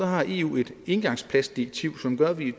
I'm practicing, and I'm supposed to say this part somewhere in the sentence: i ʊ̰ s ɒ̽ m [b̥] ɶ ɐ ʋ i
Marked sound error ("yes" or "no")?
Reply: yes